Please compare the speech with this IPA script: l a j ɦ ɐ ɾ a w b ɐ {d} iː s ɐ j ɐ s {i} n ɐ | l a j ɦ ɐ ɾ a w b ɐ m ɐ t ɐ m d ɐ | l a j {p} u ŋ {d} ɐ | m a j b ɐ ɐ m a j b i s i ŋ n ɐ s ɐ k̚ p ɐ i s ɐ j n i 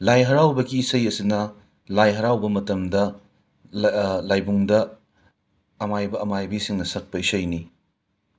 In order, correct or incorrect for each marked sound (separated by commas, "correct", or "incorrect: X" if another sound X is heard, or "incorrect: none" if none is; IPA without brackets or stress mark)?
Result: incorrect: ɡ, correct, incorrect: b, correct